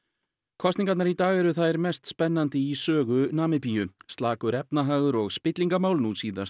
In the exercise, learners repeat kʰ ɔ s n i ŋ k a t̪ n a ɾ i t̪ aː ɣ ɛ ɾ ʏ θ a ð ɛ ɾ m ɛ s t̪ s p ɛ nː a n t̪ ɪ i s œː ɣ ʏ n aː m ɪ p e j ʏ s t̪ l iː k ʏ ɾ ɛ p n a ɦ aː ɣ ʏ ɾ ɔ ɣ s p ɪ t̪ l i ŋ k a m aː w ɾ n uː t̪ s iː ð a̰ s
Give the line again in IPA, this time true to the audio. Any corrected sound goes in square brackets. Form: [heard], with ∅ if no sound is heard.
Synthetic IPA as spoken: kʰ ɔ s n i ŋ k a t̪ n a ɾ i t̪ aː ɣ ɛ ɾ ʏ θ a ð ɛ ɾ m ɛ s t̪ s p ɛ nː a n t̪ ɪ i s œː ɣ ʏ n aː m ɪ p [i] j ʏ s t̪ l [aː] k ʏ ɾ ɛ p n a ɦ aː ɣ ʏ ɾ ɔ ɣ s p ɪ t̪ l i ŋ k a m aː w [l] n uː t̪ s iː ð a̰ s

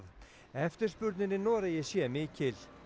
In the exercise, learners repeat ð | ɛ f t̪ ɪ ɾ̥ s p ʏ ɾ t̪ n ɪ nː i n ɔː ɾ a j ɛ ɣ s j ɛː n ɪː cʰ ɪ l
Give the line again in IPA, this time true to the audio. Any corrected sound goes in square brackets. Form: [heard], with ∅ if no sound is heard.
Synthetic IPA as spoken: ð | ɛ f t̪ ɪ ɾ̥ s p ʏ ɾ t̪ n ɪ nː [ɪ] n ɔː ɾ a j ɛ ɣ s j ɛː [m] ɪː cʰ ɪ l

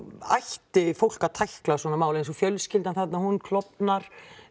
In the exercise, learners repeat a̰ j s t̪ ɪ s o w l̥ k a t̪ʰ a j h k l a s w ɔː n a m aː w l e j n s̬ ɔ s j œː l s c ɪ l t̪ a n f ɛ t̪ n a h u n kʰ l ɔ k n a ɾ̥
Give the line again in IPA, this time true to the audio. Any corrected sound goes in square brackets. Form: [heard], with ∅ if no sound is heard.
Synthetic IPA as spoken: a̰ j [h] t̪ ɪ [f] o w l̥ k a t̪ʰ a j h k l a s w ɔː n a m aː w l e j n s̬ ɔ [f] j [œ] l s c ɪ l t̪ a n [θ] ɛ t̪ n a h u n kʰ l ɔ [p] n a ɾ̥

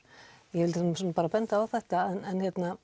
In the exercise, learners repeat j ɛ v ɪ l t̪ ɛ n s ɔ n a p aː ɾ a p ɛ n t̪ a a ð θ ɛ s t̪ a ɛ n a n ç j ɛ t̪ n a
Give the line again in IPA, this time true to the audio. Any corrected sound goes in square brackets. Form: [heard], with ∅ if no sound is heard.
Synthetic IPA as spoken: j ɛ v ɪ l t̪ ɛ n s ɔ n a p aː ɾ a p ɛ n t̪ a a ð θ ɛ [h] t̪ a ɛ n [ɛ] n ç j ɛ t̪ n a

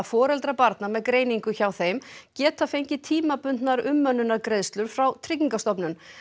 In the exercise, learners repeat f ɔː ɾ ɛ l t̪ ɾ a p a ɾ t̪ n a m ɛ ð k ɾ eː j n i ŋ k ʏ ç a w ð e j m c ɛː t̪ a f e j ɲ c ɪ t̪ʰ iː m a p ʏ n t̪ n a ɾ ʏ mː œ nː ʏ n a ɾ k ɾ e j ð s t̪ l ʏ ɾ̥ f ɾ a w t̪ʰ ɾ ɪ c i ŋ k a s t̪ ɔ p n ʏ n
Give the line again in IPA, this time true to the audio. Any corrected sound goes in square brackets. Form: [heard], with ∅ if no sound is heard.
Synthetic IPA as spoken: f ɔː ɾ ɛ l t̪ ɾ a p a ɾ t̪ n a m ɛ ð k ɾ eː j n i ŋ k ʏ ç a w [θ] e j m c ɛː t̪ a f e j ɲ c ɪ t̪ʰ iː m a p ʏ n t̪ n a ɾ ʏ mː œ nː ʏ n a ɾ k ɾ e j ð s t̪ l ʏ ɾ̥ f ɾ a w t̪ʰ ɾ ɪ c i ŋ k a s t̪ ɔ p n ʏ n

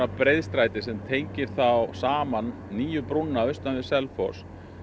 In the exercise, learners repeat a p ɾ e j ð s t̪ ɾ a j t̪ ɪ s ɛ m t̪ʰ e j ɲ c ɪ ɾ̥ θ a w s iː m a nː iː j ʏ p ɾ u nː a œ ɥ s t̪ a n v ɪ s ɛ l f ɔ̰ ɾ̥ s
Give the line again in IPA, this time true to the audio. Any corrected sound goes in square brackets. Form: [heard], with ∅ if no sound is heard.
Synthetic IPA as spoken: a p ɾ e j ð s t̪ ɾ a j t̪ ɪ s ɛ m t̪ʰ e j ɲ c ɪ ɾ̥ θ a w s [aː] m a nː iː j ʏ p ɾ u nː a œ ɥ s t̪ a n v ɪ s ɛ l f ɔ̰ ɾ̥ s

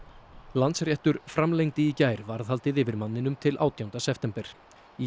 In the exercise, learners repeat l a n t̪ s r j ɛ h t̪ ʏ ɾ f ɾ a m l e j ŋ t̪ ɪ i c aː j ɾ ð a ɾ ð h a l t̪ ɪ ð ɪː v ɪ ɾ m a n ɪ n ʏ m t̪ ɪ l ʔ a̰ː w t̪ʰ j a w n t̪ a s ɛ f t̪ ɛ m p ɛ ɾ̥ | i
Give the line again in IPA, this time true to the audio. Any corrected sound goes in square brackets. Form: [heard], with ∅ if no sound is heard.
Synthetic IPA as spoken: l a n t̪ s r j ɛ h t̪ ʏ ɾ f ɾ a m l e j ŋ t̪ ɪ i c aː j ɾ [v] a ɾ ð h a l t̪ ɪ ð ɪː v ɪ ɾ m a [nː] ɪ n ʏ m [t̪ʰ] ɪ l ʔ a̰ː w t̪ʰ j a w n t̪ a s ɛ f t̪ ɛ m p ɛ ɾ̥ | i

